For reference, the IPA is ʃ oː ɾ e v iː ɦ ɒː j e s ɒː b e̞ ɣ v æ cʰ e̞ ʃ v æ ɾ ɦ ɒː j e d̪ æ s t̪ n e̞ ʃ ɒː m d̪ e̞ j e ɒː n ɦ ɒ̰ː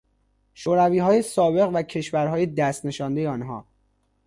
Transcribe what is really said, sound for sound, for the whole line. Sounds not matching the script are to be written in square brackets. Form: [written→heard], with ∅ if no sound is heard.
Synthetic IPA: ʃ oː ɾ [e→æ] v iː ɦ ɒː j e s ɒː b e̞ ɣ v æ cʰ e̞ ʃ v æ ɾ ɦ ɒː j e d̪ æ s t̪ n e̞ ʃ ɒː [m→n] d̪ e̞ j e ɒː n ɦ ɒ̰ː

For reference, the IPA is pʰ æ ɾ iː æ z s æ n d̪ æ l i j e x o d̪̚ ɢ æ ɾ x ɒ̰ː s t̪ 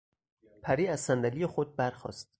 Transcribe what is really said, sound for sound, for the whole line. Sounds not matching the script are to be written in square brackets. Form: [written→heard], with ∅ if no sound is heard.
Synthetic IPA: pʰ æ ɾ iː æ z s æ n d̪ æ l i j e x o d̪̚ [ɢ→b] æ ɾ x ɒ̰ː s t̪

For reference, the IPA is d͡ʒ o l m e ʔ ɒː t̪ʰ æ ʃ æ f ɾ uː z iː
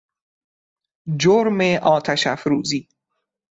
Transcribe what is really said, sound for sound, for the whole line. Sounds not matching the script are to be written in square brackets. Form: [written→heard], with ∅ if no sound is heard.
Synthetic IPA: d͡ʒ o [l→ɾ] m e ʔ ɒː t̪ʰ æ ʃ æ f ɾ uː z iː

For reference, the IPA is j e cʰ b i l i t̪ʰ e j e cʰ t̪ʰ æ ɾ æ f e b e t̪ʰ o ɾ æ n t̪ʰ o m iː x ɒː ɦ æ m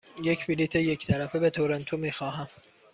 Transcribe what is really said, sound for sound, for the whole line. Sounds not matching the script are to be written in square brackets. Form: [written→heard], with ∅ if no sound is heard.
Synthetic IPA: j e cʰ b i l i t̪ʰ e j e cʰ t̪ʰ æ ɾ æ f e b e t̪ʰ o ɾ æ n t̪ʰ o m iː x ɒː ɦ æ m

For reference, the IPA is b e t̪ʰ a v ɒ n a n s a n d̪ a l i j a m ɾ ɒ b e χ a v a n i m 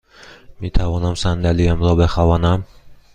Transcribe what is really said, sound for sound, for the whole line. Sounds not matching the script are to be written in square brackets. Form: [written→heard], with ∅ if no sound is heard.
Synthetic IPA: [b→m] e t̪ʰ a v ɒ n a [n→m] s a n d̪ a l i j a m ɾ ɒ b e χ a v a n [i→a] m

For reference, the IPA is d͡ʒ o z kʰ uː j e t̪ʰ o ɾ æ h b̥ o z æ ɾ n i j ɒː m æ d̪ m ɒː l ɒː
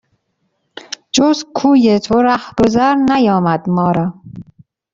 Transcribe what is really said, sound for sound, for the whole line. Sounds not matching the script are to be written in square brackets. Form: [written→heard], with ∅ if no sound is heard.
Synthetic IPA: d͡ʒ o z kʰ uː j e t̪ʰ o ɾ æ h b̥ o z æ ɾ n [i→æ] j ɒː m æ d̪ m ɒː [l→ɾ] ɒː

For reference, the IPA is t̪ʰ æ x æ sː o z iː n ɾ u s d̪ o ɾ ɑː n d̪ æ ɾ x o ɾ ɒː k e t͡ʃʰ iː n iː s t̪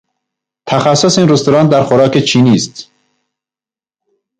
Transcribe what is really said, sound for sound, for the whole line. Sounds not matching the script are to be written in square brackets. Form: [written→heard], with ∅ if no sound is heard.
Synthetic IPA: t̪ʰ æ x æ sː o [z→s] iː n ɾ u s [d̪→t̪] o ɾ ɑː n d̪ æ ɾ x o ɾ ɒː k e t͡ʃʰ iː n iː s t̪

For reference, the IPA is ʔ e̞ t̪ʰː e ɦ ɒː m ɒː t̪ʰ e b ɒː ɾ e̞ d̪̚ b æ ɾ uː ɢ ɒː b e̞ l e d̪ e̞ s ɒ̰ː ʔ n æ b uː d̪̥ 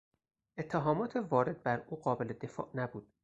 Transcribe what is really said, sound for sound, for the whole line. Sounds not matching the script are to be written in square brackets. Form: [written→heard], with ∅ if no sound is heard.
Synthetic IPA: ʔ e̞ t̪ʰː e ɦ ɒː m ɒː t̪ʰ e [b→v] ɒː ɾ e̞ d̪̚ b æ ɾ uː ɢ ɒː b e̞ l e d̪ e̞ [s→f] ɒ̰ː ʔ n æ b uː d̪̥

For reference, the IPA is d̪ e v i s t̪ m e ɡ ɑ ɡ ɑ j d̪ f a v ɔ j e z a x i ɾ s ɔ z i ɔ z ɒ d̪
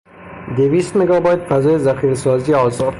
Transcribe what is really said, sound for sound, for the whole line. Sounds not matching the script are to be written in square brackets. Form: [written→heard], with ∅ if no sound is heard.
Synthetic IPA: d̪ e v i s t̪ m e ɡ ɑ [ɡ→b] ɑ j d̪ f a [v→z] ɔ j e z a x i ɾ s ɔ z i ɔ z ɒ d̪

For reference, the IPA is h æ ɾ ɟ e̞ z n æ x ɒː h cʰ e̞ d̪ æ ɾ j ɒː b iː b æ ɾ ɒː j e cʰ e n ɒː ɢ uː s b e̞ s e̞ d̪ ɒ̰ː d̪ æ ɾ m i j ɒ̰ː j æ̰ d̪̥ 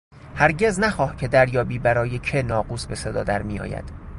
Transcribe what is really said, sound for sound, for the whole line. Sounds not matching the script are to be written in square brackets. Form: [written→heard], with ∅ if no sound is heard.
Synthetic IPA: h æ ɾ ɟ e̞ z n æ x ɒː h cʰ e̞ d̪ æ ɾ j ɒː b iː b æ ɾ ɒː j e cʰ e n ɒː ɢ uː s b e̞ s e̞ d̪ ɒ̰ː d̪ æ ɾ m i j ɒ̰ː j æ̰ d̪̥

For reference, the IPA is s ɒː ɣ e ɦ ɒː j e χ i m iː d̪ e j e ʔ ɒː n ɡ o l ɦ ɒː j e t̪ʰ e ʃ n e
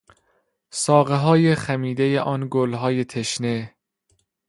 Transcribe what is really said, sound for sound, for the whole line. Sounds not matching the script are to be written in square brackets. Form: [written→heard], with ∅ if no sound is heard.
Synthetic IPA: s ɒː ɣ e ɦ ɒː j e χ [i→æ] m iː d̪ e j e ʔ ɒː n ɡ o l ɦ ɒː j e t̪ʰ e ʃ n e

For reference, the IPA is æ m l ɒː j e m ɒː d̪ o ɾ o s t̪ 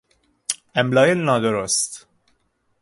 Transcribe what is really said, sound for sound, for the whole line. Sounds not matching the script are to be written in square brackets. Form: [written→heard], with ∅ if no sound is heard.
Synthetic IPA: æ m l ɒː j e [m→n] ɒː d̪ o ɾ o s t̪

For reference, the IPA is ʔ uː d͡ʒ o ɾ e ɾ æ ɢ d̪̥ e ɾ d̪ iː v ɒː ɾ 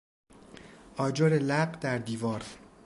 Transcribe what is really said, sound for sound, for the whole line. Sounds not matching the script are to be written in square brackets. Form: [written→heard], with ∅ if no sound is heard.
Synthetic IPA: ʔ [uː→ɒː] d͡ʒ o ɾ e [ɾ→l] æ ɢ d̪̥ [e→æ] ɾ d̪ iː v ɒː ɾ

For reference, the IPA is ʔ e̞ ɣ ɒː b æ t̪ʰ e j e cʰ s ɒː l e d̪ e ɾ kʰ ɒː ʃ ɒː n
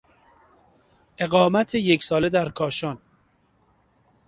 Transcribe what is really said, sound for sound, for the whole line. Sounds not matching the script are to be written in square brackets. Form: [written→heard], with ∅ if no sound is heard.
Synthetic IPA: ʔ e̞ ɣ ɒː [b→m] æ t̪ʰ e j e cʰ s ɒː l e d̪ [e→æ] ɾ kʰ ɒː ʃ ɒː n

